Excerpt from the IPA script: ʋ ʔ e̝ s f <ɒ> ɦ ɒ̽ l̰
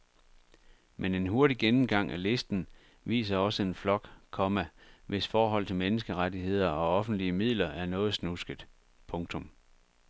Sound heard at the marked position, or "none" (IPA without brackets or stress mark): ɒː